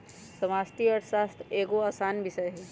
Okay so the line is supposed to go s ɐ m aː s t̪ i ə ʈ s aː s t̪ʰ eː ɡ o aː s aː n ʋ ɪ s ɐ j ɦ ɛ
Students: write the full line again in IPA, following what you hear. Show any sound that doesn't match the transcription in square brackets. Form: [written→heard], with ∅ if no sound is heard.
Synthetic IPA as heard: s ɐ m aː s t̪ i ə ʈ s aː s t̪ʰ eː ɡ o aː s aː n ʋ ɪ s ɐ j ɦ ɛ

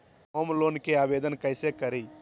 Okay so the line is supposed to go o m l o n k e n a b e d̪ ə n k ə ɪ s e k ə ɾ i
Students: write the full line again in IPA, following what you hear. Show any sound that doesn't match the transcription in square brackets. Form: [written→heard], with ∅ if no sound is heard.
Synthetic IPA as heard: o m l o n k e [n→∅] a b e d̪ ə n k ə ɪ s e k ə ɾ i

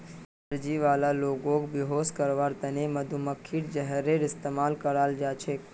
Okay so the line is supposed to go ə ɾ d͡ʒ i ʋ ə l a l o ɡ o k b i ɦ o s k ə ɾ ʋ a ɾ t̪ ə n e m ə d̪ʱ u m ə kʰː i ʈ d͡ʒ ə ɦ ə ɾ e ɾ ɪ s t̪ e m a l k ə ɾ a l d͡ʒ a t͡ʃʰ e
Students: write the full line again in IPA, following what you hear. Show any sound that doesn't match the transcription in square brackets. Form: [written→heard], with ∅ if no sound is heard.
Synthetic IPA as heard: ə ɾ d͡ʒ i ʋ [ə→a] l a l o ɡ o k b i ɦ o s k ə ɾ ʋ a ɾ t̪ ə n e m ə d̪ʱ u m ə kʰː i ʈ d͡ʒ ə ɦ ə ɾ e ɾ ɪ s t̪ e m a l k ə ɾ a l d͡ʒ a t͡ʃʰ e

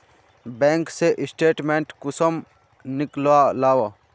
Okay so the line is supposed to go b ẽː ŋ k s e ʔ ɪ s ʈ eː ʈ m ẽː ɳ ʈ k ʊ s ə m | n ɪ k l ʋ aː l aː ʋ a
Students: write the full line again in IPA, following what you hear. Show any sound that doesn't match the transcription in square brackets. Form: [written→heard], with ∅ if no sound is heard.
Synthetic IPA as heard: b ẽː ŋ k s e ʔ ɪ s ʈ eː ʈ m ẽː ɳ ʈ k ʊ s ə m | n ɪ k l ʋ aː l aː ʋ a

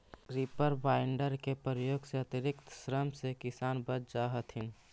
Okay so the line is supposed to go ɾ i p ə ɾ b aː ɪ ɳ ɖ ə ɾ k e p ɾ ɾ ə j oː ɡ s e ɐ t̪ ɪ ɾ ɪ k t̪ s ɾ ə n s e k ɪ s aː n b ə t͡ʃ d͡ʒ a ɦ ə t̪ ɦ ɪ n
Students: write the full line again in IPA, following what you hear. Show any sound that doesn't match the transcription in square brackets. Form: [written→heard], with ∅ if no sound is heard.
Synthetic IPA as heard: ɾ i p ə ɾ b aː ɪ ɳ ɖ ə ɾ k e p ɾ ɾ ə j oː ɡ s e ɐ t̪ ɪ ɾ ɪ k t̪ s ɾ ə [n→m] s e k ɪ s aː n b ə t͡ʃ d͡ʒ a ɦ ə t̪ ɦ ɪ n

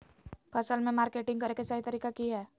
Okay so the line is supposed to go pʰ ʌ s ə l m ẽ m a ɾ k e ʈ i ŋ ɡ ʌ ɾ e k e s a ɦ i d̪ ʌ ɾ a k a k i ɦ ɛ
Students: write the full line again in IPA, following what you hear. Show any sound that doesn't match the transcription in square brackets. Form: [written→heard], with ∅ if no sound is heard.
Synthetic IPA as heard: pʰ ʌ s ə l m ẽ m a ɾ k e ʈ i ŋ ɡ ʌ ɾ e k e s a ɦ i [d̪→t̪] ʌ ɾ [a→i] k a k i ɦ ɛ

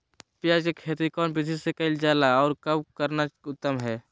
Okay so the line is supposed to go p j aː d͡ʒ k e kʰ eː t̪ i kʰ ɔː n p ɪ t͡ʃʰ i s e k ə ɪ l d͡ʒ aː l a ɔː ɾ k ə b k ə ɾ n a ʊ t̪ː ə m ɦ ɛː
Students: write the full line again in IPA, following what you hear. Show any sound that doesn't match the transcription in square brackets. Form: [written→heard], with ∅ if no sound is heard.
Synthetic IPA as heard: p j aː d͡ʒ k e kʰ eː t̪ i [kʰ→k] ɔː n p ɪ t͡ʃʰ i s e k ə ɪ l d͡ʒ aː l a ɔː ɾ k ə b k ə ɾ n a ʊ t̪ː ə m ɦ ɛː

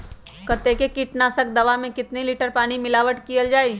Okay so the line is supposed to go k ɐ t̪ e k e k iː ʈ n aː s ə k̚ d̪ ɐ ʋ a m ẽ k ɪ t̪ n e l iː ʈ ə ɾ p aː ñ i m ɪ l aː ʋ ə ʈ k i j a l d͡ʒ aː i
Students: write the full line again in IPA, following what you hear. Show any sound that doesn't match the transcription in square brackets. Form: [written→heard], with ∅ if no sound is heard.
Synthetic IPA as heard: k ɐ t̪ e k e k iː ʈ n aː s ə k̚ d̪ ɐ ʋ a m ẽ k ɪ t̪ n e l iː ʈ ə ɾ p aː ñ i m ɪ l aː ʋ ə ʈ k i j [a→ə] l d͡ʒ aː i

